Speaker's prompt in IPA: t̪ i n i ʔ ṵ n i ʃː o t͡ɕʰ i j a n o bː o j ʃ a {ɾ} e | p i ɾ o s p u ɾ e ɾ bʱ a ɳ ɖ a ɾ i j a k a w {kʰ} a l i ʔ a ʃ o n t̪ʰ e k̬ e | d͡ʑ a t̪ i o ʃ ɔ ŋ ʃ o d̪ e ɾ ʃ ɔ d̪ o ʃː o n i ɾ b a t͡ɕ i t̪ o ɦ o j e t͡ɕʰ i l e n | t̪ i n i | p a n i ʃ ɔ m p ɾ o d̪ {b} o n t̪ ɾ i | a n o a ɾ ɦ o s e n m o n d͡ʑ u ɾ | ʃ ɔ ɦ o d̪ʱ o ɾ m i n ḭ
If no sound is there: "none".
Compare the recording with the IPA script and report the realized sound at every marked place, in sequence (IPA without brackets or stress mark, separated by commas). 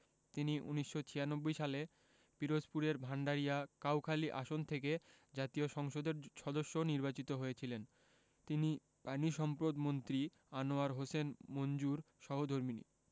l, kʰ, m